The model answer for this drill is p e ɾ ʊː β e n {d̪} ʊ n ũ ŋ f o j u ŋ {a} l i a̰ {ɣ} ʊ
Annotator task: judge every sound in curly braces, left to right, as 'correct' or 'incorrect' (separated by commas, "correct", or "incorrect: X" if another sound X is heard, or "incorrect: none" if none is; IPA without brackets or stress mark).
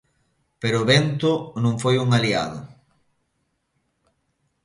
incorrect: t̪, correct, incorrect: ð